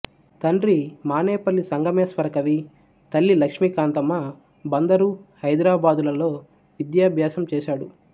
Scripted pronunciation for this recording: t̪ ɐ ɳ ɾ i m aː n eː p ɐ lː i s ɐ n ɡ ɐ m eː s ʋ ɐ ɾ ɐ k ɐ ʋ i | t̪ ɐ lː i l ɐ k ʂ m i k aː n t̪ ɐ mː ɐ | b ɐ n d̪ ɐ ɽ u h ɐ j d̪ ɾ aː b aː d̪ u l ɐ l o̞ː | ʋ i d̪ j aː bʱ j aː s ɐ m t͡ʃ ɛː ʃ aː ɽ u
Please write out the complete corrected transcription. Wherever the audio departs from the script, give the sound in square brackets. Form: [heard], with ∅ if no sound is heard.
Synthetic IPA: t̪ ɐ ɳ ɾ i m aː n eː p ɐ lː i s ɐ [ŋ] ɡ ɐ m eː s ʋ ɐ ɾ ɐ k ɐ ʋ i | t̪ ɐ lː i l ɐ k ʂ m i k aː n t̪ ɐ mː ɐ | b ɐ n d̪ ɐ [ɾ] u h ɐ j d̪ ɾ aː b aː d̪ u l ɐ l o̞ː | ʋ i d̪ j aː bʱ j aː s ɐ m t͡ʃ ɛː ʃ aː ɽ u

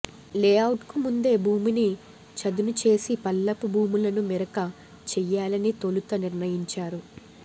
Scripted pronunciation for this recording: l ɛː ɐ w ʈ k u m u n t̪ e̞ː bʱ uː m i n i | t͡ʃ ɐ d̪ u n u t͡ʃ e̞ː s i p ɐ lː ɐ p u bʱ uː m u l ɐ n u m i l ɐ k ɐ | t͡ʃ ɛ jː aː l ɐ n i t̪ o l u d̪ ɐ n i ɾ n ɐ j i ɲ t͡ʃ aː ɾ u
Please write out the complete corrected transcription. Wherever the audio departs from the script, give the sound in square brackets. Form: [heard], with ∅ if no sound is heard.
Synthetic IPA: l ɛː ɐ w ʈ k u m u n [d̪] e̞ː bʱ uː m i n i | t͡ʃ ɐ d̪ u n u t͡ʃ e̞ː s i p ɐ lː ɐ p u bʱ uː m u l ɐ n u m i [ɾ] ɐ k ɐ | t͡ʃ ɛ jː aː l ɐ n i t̪ o l u [t̪] ɐ n i ɾ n ɐ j i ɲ t͡ʃ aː ɾ u

